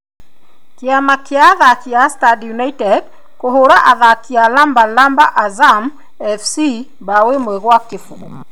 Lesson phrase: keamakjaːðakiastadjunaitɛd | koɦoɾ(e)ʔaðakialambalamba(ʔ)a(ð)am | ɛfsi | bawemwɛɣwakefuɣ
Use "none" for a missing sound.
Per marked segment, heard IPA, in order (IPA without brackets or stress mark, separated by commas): a, ʔ, z